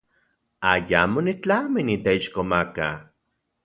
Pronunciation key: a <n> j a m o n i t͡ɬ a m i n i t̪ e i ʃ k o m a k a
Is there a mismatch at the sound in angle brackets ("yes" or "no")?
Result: yes